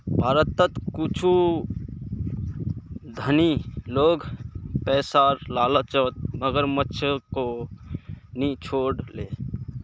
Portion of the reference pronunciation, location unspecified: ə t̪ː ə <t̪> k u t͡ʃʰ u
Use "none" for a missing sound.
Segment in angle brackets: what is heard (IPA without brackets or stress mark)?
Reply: t̪